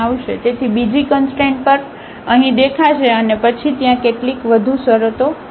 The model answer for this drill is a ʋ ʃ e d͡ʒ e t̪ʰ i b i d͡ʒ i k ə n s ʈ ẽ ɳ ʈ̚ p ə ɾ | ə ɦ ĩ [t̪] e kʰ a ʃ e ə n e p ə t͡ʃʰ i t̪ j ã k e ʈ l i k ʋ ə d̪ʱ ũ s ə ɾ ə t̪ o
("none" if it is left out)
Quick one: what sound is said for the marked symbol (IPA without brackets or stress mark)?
d̪